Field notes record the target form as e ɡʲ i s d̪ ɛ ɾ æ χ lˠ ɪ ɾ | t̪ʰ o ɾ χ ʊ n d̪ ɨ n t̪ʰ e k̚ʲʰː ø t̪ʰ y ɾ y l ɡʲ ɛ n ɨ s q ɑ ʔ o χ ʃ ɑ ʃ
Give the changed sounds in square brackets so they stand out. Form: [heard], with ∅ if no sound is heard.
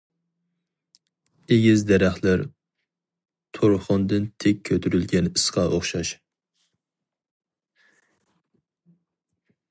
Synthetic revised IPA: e ɡʲ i [z] d̪ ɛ ɾ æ χ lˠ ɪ ɾ | t̪ʰ o ɾ χ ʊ n d̪ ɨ n t̪ʰ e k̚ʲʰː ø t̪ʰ y ɾ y l ɡʲ ɛ n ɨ s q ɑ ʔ o χ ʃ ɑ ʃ